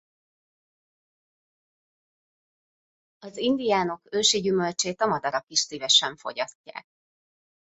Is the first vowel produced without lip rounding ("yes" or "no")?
no